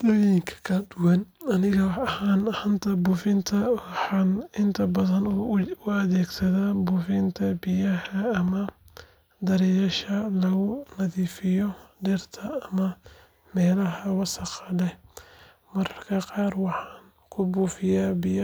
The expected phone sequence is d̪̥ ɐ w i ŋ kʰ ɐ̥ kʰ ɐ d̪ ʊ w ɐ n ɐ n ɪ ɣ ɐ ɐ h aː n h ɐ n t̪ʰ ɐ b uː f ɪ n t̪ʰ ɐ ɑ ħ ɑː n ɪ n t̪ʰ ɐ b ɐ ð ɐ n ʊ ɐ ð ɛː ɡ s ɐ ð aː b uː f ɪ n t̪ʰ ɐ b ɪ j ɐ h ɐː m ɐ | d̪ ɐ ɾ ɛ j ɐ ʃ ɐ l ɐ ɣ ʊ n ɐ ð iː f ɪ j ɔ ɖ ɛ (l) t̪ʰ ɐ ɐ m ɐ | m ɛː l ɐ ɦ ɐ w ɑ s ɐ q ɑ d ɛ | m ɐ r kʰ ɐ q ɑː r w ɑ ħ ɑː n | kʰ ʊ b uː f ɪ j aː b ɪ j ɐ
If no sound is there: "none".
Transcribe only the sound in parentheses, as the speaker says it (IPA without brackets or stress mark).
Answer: r